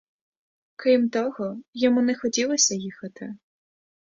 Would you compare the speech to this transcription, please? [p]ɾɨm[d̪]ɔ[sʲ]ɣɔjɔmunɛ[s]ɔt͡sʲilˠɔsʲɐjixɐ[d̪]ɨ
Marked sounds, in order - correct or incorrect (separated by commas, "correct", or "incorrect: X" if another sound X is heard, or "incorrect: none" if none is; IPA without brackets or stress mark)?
incorrect: k, incorrect: t̪, incorrect: none, incorrect: x, incorrect: t̪